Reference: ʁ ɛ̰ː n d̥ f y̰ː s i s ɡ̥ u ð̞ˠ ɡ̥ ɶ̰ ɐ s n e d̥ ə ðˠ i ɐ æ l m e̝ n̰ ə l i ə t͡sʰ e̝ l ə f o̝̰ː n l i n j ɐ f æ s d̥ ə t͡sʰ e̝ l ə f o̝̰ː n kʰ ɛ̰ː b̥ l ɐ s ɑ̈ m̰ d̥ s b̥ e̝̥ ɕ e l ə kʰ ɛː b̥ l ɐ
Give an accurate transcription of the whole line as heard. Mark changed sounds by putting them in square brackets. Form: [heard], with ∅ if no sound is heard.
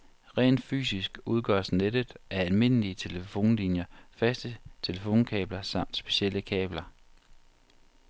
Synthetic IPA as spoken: ʁ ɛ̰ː n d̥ f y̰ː s i s ɡ̥ u ð̞ˠ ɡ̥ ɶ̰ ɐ s n e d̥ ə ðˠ [æ] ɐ æ l m e̝ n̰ ə l i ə t͡sʰ e̝ l ə f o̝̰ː n l i n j ɐ f æ s d̥ ə t͡sʰ e̝ l ə f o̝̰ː n kʰ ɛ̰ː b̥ l ɐ s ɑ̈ m̰ d̥ s b̥ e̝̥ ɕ e l ə kʰ ɛː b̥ l ɐ

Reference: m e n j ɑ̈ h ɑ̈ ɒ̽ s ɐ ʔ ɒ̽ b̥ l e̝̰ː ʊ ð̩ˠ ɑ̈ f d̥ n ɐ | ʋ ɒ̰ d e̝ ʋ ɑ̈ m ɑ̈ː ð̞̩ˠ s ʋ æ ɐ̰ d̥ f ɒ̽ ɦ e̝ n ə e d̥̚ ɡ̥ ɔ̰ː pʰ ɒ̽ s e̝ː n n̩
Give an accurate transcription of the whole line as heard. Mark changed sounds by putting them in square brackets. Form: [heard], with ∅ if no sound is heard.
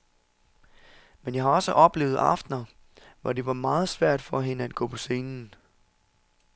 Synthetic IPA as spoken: m e n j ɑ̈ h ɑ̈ ɒ̽ s [ə] ʔ ɒ̽ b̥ l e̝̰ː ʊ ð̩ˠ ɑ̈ f d̥ n ɐ | ʋ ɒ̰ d e̝ ʋ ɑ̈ m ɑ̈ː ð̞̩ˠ s ʋ æ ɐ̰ d̥ f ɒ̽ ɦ e̝ n ə [æ] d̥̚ ɡ̥ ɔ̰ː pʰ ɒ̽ s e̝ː n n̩

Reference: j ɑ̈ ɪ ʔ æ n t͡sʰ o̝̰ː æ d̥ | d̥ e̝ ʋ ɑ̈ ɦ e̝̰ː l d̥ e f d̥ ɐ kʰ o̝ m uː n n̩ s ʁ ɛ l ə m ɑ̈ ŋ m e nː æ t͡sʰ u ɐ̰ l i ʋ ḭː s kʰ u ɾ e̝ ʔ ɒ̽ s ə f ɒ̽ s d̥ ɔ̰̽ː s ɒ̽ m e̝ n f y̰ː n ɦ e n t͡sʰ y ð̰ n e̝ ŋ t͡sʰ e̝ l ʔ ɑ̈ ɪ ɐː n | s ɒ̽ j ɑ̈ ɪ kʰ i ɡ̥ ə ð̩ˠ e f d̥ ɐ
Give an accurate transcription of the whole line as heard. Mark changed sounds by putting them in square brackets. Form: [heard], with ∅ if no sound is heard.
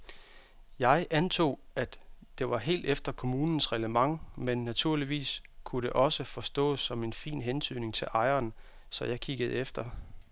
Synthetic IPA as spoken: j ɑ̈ ɪ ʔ æ n t͡sʰ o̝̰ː æ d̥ | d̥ e̝ ʋ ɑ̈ ɦ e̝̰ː l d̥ e f d̥ ɐ kʰ o̝ m uː n n̩ s ʁ ɛ l ə m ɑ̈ ŋ m e nː æ t͡sʰ u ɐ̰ l i ʋ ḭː s kʰ u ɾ e̝ ʔ ɒ̽ s ə f ɒ̽ s d̥ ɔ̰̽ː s ɒ̽ m e̝ n f [ḭː] n ɦ e n t͡sʰ y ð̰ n e̝ ŋ t͡sʰ e̝ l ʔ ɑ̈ ɪ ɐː n | s ɒ̽ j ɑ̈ ɪ kʰ i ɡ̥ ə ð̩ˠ e f d̥ ɐ

